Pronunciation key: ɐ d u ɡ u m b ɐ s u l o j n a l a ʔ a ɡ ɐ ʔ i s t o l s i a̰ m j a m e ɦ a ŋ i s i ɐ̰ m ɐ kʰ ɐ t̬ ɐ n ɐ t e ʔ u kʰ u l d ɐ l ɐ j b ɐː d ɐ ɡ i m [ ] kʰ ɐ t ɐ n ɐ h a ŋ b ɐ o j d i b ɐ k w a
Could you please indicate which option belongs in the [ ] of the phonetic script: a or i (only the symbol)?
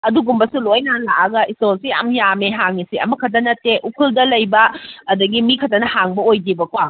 i